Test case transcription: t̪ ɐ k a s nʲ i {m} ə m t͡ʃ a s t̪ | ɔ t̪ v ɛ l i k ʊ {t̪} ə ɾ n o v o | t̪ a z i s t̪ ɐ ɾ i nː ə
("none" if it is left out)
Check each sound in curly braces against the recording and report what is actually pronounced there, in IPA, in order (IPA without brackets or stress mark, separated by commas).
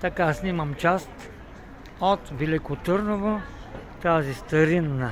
m, t̪